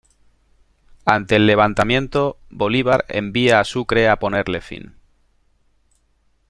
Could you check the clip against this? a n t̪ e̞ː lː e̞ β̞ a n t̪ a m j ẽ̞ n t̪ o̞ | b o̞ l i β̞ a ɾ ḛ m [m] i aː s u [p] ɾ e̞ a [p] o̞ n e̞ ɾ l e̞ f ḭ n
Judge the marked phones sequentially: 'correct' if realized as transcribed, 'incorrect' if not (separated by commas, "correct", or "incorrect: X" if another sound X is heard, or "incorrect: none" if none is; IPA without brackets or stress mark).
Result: incorrect: b, incorrect: k, correct